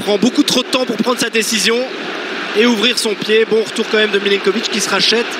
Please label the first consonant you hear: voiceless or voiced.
voiceless